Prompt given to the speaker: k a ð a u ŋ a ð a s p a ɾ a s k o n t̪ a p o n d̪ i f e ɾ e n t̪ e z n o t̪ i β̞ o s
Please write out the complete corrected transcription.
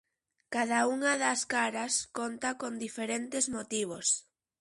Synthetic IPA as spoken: k a ð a u ŋ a ð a s k a ɾ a s k o n t̪ a k o n d̪ i f e ɾ e n t̪ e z m o t̪ i β̞ o s